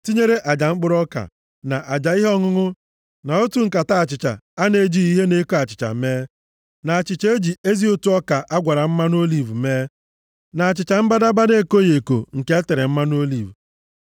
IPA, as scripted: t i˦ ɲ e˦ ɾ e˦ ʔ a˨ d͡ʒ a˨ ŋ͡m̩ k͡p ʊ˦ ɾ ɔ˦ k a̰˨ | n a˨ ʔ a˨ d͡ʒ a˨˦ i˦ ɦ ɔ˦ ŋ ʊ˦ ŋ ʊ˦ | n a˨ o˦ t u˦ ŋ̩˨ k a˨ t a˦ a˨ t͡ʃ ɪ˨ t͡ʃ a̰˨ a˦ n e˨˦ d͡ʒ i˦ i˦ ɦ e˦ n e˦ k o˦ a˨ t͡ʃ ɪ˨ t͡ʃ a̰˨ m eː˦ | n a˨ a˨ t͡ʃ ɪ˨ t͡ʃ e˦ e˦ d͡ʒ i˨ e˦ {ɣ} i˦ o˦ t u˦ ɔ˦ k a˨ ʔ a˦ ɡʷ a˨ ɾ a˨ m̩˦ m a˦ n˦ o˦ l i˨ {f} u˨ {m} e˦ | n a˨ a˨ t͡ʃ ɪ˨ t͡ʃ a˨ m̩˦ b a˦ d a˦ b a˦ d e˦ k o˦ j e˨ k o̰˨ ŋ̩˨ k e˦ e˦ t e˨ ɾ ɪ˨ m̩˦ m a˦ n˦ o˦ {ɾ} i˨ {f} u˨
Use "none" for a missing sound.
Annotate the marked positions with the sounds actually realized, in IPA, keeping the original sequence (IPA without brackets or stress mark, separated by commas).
z, v, m, l, v